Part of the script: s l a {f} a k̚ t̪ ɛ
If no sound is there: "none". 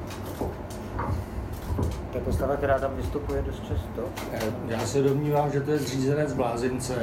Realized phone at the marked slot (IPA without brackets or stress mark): v